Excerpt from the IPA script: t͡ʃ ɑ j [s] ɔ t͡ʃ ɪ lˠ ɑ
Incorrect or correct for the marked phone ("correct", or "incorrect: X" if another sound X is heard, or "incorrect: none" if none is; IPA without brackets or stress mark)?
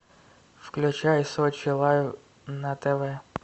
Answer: correct